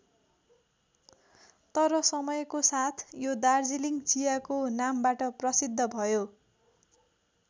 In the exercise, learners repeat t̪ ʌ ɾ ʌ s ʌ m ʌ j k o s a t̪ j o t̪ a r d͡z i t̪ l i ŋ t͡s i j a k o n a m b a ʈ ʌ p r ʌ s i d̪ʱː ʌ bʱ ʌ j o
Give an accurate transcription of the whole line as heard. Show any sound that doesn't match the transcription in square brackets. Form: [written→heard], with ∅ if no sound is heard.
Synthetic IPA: t̪ ʌ ɾ ʌ s ʌ m ʌ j k o s a [t̪→t̪ʰ] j o [t̪→d̪] a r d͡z i [t̪→∅] l i ŋ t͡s i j a k o n a m b a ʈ ʌ p r ʌ s i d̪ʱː ʌ bʱ ʌ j o